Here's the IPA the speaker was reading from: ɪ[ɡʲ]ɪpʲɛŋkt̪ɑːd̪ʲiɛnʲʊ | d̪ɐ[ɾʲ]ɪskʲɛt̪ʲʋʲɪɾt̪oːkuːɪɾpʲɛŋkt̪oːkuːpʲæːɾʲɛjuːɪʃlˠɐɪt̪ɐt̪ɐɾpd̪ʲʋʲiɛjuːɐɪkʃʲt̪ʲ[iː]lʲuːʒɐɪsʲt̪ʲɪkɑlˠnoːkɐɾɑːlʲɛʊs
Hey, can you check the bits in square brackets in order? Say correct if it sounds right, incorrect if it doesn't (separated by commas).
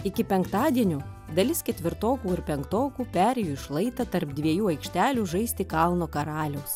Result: incorrect, incorrect, incorrect